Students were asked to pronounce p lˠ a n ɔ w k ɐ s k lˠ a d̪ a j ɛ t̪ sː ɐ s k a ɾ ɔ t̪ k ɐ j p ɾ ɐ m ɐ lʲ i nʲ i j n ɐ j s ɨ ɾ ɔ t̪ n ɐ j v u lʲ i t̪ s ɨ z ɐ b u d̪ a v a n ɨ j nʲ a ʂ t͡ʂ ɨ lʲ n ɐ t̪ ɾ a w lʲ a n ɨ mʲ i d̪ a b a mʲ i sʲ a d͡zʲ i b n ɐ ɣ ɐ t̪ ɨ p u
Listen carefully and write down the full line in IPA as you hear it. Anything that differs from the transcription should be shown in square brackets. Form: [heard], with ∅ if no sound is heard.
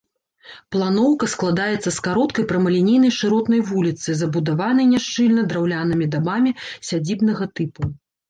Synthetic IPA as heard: p lˠ a n ɔ w k ɐ s k lˠ a d̪ a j ɛ t̪ sː ɐ s k a ɾ ɔ t̪ k ɐ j p ɾ ɐ m ɐ lʲ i nʲ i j n ɐ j [ʂ] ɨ ɾ ɔ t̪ n ɐ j v u lʲ i t̪ s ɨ z ɐ b u d̪ a v a n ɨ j nʲ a ʂ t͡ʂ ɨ lʲ n ɐ [d̪] ɾ a w lʲ a n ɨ mʲ i d̪ a b a mʲ i sʲ a d͡zʲ i b n ɐ ɣ ɐ t̪ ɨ p u